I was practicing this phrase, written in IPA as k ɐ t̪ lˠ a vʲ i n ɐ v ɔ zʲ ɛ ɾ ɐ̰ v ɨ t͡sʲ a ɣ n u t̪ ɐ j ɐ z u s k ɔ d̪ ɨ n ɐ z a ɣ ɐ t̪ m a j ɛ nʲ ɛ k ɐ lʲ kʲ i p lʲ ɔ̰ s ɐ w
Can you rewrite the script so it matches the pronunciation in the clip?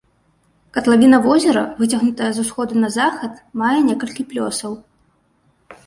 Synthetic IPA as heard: k ɐ t̪ lˠ a vʲ i n ɐ v ɔ zʲ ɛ ɾ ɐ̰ v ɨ t͡sʲ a ɣ n u t̪ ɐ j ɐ z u s x ɔ d̪ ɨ n ɐ z a x ɐ t̪ m a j ɛ nʲ ɛ k ɐ lʲ kʲ i p lʲ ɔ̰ s ɐ w